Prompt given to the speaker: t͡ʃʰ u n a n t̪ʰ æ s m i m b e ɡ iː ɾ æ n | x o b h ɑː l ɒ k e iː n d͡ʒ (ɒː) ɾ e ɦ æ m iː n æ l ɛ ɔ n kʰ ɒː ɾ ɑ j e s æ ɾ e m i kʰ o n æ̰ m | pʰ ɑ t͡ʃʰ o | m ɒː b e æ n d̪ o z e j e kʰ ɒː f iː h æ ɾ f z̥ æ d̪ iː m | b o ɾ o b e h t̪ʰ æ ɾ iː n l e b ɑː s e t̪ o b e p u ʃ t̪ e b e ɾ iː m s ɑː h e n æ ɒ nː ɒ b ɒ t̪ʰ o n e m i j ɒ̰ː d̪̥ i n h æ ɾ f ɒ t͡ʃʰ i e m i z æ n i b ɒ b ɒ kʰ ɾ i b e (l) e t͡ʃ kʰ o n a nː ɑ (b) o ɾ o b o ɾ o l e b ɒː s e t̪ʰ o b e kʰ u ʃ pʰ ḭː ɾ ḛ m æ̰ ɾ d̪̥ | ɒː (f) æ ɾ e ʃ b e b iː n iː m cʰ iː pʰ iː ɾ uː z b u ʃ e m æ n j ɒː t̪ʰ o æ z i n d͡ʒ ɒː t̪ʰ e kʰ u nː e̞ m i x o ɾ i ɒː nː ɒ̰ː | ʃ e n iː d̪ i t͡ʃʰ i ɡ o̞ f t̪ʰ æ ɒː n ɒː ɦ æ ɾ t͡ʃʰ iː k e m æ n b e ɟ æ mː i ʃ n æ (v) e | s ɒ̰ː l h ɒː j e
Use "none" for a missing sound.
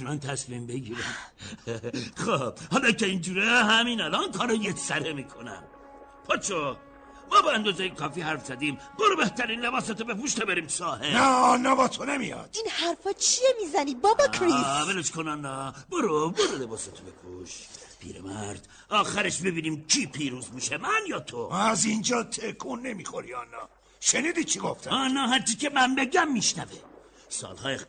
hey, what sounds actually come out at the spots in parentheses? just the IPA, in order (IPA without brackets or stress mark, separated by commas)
uː, l, b, x, v